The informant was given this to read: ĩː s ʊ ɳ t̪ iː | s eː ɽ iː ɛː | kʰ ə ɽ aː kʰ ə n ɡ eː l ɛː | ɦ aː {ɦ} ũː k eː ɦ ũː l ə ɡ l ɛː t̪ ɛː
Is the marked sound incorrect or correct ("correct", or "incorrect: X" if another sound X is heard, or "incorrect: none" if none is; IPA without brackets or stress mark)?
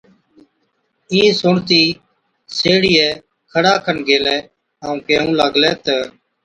incorrect: none